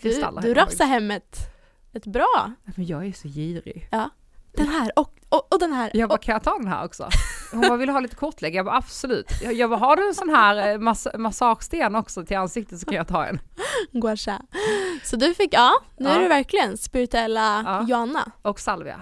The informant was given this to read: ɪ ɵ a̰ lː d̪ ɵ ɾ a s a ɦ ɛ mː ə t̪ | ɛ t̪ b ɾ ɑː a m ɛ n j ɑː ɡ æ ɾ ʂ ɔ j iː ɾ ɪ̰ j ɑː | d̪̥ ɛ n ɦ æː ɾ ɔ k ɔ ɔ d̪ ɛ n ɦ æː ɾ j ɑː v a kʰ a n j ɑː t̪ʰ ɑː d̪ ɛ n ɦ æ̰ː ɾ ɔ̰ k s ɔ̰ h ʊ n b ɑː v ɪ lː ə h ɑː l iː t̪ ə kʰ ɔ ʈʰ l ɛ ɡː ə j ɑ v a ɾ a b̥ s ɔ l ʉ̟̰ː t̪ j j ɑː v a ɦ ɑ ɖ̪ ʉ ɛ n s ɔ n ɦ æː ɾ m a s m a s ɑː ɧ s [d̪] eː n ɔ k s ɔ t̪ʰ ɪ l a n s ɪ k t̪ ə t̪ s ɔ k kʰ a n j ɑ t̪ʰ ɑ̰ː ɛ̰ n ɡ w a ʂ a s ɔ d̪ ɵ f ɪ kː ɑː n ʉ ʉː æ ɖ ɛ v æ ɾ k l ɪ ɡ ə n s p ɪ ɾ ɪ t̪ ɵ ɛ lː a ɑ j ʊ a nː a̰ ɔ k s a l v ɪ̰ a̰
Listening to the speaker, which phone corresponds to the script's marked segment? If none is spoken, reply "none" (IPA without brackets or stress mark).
t̪